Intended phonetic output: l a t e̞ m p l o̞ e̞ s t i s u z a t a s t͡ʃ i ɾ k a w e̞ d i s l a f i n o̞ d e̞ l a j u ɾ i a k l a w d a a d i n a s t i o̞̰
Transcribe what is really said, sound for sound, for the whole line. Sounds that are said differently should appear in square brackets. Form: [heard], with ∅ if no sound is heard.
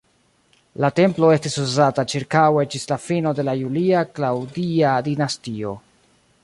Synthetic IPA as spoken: l a t e̞ m p l o̞ e̞ s t i s u z a t a [∅] t͡ʃ i ɾ k a w e̞ [d͡ʒ] i s l a f i n o̞ d e̞ l a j u [l] i a k l a w d [i] a d i n a s t i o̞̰